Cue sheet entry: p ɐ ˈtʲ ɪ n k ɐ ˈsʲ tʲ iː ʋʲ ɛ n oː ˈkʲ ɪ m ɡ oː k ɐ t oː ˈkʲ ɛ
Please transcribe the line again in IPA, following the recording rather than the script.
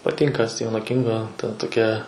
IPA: p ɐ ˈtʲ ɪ ŋ k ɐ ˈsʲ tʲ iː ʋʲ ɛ n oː ˈkʲ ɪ ŋ ɡ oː t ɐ t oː ˈkʲ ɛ